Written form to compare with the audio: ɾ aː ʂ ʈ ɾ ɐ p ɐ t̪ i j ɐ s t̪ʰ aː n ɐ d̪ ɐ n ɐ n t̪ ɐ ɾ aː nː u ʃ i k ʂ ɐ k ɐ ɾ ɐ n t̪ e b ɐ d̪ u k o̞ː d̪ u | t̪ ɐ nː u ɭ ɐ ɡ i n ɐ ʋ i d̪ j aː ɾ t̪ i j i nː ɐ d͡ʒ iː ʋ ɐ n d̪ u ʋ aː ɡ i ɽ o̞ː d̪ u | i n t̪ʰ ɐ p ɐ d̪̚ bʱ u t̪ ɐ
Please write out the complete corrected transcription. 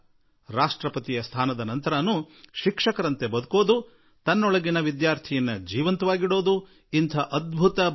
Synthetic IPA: ɾ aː ʂ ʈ ɾ ɐ p ɐ t̪ i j ɐ s t̪ʰ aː n ɐ d̪ ɐ n ɐ n t̪ ɐ ɾ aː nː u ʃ i k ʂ ɐ k ɐ ɾ ɐ n t̪ e b ɐ d̪ u k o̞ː d̪ u | t̪ ɐ nː ɔ ɭ ɐ ɡ i n ɐ ʋ i d̪ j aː ɾ t̪ʰ i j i nː ɐ d͡ʒ iː ʋ ɐ n t̪ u ʋ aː ɡ i ɽ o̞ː d̪ u | i n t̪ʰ ɐ ʔ ɐ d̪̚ bʱ u t̪ ɐ